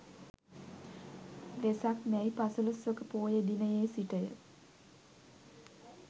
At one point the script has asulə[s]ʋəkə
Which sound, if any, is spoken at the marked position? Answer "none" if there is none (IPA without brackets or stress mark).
s